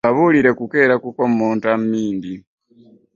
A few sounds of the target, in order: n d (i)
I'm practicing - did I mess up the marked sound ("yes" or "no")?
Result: no